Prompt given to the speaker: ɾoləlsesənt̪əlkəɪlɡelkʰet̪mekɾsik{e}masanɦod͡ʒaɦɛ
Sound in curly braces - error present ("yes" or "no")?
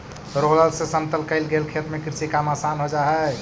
yes